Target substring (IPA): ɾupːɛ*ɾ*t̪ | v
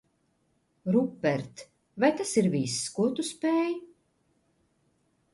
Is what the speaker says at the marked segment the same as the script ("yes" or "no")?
yes